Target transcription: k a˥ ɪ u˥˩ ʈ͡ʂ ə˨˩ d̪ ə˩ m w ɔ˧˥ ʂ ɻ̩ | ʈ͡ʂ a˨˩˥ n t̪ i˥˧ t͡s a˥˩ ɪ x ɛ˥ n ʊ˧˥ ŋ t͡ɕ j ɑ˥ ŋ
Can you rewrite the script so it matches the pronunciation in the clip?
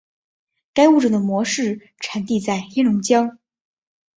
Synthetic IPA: k a˥ ɪ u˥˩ ʈ͡ʂ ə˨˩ d̪ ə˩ m w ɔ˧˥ ʂ ɻ̩ | ʈ͡ʂʰ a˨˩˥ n t̪ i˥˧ t͡s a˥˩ ɪ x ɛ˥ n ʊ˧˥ ŋ t͡ɕ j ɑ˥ ŋ